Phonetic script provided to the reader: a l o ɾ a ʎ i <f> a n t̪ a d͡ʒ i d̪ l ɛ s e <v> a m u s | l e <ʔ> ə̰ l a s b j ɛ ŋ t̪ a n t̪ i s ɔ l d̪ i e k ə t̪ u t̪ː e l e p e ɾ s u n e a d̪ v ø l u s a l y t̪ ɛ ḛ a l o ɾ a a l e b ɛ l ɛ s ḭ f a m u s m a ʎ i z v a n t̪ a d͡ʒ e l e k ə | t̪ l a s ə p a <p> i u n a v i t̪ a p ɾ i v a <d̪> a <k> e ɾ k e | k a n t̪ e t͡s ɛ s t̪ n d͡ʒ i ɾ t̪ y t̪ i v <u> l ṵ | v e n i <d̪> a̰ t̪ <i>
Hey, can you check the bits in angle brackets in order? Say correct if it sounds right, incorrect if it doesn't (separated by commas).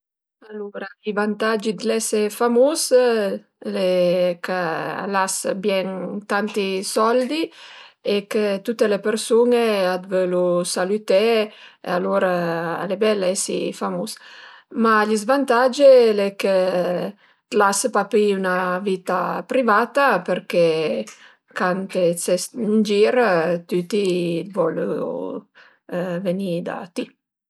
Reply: incorrect, incorrect, incorrect, correct, incorrect, incorrect, incorrect, correct, correct